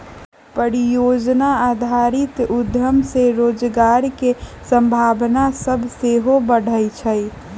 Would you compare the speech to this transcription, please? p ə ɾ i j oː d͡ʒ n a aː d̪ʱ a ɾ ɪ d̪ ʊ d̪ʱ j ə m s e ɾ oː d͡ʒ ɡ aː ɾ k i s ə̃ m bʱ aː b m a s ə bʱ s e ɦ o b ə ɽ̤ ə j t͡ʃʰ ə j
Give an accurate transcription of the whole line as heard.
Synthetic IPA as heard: p ə ɾ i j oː d͡ʒ n a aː d̪ʱ a ɾ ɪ t̪ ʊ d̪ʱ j ə m s e ɾ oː d͡ʒ ɡ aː ɾ k e s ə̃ m bʱ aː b n a s ə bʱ s e ɦ o b ə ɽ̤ ə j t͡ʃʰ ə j